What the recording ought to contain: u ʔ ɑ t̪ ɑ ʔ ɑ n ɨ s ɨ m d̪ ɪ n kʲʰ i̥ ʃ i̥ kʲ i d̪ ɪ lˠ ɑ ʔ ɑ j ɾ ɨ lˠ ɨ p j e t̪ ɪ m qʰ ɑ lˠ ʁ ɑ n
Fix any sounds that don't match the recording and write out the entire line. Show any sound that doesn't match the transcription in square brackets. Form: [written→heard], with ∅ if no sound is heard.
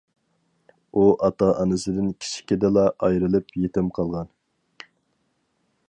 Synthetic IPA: u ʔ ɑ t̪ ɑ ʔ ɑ n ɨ s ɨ [m→∅] d̪ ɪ n kʲʰ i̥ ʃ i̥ kʲ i d̪ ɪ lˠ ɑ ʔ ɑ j ɾ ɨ lˠ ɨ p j e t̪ ɪ m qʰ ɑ lˠ ʁ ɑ n